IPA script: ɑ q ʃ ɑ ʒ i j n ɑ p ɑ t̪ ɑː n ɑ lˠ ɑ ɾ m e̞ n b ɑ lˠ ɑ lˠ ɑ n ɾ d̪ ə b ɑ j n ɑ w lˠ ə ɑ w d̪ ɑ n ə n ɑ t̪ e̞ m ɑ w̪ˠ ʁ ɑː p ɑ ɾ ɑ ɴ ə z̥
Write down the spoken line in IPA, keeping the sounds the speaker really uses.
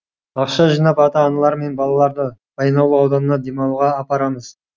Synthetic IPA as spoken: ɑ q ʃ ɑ ʒ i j n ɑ p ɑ t̪ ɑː n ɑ lˠ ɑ ɾ m e̞ n b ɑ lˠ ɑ lˠ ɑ ɾ d̪ ə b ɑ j n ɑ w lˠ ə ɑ w d̪ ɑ n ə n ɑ d̪ e̞ m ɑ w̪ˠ ʁ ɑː p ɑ ɾ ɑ m ə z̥